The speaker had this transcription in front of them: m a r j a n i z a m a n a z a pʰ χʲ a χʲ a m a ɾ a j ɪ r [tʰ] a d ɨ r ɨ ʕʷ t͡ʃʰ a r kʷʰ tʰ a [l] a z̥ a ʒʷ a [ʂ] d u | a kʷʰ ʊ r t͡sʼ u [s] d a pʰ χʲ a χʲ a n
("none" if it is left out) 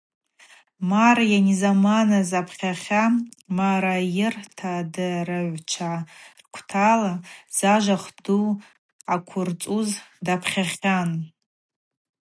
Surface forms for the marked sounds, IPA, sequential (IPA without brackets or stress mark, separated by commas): tʰ, l, χ, z